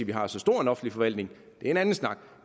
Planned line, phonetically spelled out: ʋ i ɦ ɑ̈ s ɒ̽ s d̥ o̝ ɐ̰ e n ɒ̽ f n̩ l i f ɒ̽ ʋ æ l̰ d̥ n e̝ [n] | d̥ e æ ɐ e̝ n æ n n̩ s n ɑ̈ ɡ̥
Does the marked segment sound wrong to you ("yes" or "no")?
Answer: yes